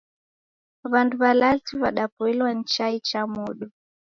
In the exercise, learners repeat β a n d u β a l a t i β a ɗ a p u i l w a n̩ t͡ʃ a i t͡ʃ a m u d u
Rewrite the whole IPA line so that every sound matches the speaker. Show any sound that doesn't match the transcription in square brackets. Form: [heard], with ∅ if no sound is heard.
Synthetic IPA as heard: β a n d u β a l a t i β a ɗ a p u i l w a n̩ t͡ʃ a i t͡ʃ a m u [ɗ] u